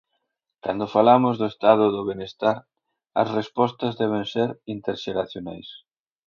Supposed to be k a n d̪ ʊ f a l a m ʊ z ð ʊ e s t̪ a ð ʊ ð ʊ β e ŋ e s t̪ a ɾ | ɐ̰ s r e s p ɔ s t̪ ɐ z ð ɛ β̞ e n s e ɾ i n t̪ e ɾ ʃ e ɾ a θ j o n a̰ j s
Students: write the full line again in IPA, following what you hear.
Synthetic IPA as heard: k a n d̪ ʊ f a l a m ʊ z ð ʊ e s t̪ a ð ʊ ð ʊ β e n e s t̪ a ɾ | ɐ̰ s r e s p ɔ s t̪ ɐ z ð ɛ β̞ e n s e ɾ i n t̪ e ɾ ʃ e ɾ a θ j o n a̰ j s